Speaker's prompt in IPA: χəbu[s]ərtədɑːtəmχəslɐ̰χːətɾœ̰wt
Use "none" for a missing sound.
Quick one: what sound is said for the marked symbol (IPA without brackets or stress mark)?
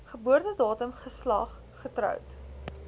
none